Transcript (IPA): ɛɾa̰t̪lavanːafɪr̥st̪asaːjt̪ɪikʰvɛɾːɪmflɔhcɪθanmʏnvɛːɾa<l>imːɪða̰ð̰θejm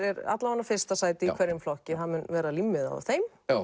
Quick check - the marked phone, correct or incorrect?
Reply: correct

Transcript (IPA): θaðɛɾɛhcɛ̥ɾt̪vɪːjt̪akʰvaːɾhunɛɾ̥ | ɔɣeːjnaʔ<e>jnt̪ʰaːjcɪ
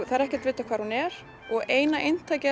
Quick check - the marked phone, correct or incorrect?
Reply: correct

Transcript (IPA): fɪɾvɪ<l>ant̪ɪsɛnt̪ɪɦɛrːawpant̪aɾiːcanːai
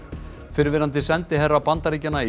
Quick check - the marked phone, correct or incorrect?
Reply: incorrect: ɾ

